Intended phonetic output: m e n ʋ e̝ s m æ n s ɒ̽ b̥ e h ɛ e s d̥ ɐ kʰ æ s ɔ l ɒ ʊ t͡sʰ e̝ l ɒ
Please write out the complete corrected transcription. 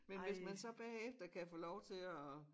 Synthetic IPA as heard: m e n ʋ e̝ s m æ n s ɒ̽ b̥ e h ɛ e f d̥ ɐ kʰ æ f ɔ l ɒ ʊ t͡sʰ e̝ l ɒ